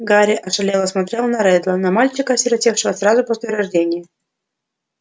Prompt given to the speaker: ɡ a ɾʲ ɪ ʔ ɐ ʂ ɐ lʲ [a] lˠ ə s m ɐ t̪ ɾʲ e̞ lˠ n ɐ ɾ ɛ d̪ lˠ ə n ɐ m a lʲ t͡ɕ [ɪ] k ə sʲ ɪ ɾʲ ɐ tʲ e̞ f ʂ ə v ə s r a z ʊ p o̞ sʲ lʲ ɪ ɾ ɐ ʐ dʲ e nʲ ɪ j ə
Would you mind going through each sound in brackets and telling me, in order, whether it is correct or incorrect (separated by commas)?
incorrect, correct